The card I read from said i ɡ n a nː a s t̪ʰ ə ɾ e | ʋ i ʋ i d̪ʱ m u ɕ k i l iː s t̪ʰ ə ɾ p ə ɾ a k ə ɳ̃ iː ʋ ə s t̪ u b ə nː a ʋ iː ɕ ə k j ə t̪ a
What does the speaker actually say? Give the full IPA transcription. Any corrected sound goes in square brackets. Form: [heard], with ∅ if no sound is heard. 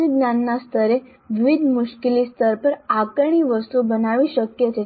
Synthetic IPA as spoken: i ɡ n a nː a s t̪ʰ ə ɾ e | ʋ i ʋ i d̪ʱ m u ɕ k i l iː s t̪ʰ ə ɾ p ə ɾ a k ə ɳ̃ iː ʋ ə s t̪ u b ə [n] a ʋ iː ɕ ə k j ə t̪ [e]

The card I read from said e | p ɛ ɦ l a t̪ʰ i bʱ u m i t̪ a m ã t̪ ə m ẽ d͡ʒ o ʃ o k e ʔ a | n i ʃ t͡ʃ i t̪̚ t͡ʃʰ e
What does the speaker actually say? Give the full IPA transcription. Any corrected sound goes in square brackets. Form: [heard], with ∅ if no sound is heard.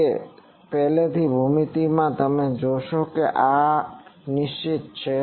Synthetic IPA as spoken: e | p ɛ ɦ l [e] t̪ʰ i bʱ u m i t̪ [i] m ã t̪ ə m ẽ d͡ʒ o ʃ o k e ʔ a | n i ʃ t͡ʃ i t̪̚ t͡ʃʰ e

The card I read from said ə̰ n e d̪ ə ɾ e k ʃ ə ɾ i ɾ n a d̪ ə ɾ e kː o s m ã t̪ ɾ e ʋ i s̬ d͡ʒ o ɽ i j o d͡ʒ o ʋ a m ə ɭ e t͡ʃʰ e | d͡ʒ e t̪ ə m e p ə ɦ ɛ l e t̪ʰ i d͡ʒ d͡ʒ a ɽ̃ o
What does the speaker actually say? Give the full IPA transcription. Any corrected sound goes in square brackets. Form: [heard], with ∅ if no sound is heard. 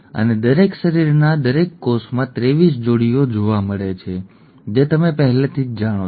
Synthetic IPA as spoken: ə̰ n e d̪ ə ɾ e k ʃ ə ɾ i ɾ n a d̪ ə ɾ e kː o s m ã t̪ ɾ e ʋ i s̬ d͡ʒ o ɽ i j o d͡ʒ o ʋ a m ə ɭ e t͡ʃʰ e | d͡ʒ e t̪ ə m e p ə ɦ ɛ l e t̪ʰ i d͡ʒ d͡ʒ a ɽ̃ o

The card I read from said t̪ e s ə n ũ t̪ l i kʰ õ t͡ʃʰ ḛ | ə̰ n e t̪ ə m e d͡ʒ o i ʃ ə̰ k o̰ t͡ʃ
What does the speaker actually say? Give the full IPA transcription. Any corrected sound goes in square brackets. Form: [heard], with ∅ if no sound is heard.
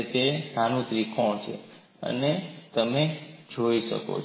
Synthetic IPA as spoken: t̪ e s [a] n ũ t̪ [ɾ] i kʰ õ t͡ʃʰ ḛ | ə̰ n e t̪ ə m e d͡ʒ o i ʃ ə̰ k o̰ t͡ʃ

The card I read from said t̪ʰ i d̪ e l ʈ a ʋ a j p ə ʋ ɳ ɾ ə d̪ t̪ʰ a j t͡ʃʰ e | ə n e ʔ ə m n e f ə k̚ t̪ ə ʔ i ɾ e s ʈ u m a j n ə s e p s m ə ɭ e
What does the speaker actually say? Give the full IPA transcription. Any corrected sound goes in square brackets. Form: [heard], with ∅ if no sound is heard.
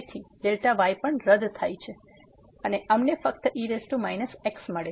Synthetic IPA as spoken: t̪ʰ i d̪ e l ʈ a ʋ a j p ə [∅] ɳ ɾ ə d̪ t̪ʰ a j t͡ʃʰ e | ə n e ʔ ə m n e f ə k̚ t̪ ə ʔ i ɾ e s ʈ u m a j n ə s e [k] s m ə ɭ e

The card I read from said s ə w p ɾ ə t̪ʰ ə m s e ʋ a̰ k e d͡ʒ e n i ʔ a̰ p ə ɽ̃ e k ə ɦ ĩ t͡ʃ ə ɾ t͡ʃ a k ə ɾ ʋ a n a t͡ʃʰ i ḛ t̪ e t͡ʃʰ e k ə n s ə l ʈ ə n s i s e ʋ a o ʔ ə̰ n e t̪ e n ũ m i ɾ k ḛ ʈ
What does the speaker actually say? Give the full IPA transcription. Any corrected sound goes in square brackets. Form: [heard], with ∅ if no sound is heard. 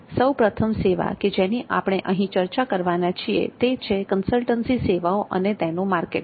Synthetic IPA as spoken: s ə w p ɾ ə t̪ʰ ə m s e ʋ a̰ k e d͡ʒ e n i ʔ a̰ p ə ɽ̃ e [ʔ] ə ɦ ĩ t͡ʃ ə ɾ t͡ʃ a k ə ɾ ʋ a n a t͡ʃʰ i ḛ t̪ e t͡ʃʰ e k ə n s ə l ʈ ə n s i s e ʋ a o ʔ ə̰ n e t̪ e n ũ m [a] ɾ k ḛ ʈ

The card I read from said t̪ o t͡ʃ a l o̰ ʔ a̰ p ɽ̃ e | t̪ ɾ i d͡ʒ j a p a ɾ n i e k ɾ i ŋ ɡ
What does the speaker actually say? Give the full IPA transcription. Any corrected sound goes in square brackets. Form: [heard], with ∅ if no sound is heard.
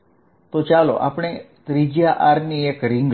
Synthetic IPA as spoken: t̪ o t͡ʃ a l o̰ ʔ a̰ p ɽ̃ e | t̪ ɾ i d͡ʒ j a [ʔ] a ɾ n i e k ɾ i ŋ ɡ

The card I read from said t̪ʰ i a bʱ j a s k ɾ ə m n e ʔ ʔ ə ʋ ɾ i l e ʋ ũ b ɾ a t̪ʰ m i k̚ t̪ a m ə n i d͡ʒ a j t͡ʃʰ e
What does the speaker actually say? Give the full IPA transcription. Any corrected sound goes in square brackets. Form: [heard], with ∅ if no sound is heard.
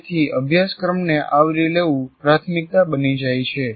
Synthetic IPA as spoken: t̪ʰ i [ə] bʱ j a s k ɾ ə m n e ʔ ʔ [a] ʋ ɾ i l e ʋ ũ [p] ɾ a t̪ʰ m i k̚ t̪ a [b] ə n i d͡ʒ a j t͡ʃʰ e

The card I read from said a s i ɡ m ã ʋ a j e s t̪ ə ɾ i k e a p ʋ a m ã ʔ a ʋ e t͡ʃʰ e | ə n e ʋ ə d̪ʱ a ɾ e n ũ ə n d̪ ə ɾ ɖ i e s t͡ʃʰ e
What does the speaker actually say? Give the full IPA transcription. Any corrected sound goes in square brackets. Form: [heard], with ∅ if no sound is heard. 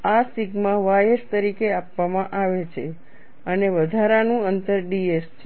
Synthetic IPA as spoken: a s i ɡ m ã ʋ a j e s t̪ ə ɾ i k e a p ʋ a m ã ʔ a ʋ e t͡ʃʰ e | ə n e ʋ ə d̪ʱ a ɾ [a] n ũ ə n [t̪] ə ɾ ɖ i e s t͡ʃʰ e

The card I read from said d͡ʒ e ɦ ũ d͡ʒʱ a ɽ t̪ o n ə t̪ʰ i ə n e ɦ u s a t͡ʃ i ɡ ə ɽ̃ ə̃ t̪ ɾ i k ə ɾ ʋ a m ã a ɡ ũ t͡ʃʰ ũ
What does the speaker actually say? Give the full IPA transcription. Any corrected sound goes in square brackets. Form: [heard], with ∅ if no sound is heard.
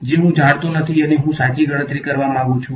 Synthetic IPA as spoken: d͡ʒ e ɦ ũ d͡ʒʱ a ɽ t̪ o n ə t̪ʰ i ə n e ɦ [ũ] s a t͡ʃ i ɡ ə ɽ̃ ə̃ t̪ ɾ i k ə ɾ ʋ a m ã a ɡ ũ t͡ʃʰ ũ

